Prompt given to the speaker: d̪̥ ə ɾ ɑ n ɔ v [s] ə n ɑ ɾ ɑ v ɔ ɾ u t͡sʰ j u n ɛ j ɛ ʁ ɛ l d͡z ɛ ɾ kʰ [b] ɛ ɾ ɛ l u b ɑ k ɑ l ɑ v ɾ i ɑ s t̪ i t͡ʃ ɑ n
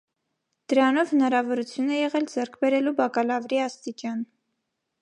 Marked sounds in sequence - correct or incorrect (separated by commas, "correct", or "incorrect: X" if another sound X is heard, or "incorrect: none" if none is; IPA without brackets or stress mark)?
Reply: incorrect: h, correct